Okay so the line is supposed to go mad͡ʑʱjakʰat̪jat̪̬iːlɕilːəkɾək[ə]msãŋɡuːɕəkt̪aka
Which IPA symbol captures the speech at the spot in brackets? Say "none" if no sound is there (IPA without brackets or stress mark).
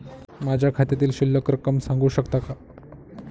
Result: ə